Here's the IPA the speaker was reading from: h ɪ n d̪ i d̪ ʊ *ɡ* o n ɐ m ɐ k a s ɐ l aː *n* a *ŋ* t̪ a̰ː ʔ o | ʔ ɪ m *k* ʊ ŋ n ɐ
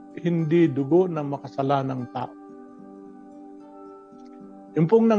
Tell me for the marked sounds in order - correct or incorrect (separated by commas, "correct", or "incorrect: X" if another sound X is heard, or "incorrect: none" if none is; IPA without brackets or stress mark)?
correct, correct, correct, incorrect: p